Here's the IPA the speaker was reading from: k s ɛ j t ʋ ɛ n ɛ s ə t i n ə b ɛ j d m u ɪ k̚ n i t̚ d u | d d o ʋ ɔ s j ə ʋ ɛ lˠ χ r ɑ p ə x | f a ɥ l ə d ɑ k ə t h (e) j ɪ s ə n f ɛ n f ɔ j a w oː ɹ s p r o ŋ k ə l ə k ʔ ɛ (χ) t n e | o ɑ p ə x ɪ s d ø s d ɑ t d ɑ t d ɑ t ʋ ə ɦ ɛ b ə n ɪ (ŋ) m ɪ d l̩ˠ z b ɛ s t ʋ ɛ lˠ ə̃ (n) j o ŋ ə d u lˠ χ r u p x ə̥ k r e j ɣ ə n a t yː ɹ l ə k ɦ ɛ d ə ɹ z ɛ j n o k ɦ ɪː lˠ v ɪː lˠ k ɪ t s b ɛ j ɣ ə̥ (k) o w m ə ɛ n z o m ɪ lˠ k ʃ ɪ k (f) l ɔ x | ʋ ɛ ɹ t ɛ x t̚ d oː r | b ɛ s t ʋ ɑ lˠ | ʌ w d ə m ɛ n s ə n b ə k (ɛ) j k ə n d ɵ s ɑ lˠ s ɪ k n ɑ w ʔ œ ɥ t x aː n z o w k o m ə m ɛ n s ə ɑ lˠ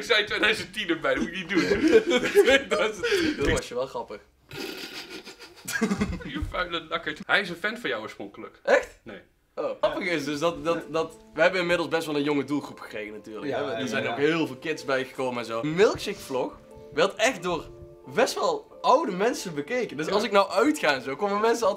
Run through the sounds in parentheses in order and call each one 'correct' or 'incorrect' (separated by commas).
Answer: incorrect, incorrect, incorrect, correct, correct, correct, incorrect